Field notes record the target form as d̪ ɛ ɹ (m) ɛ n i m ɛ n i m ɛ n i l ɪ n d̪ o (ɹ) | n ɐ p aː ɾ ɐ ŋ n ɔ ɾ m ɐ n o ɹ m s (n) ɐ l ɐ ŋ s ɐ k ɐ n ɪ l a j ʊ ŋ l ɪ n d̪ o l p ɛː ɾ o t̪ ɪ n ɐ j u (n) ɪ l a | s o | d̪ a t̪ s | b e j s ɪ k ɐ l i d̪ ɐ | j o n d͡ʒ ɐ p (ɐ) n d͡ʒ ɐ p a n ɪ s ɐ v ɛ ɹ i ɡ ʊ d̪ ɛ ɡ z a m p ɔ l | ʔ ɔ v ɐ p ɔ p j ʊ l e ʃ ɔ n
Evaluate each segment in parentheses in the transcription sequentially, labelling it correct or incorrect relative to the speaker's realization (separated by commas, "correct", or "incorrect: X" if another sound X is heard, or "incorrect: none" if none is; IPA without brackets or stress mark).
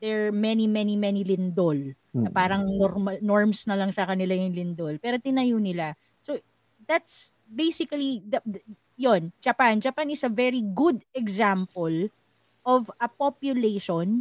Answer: correct, incorrect: l, correct, correct, incorrect: a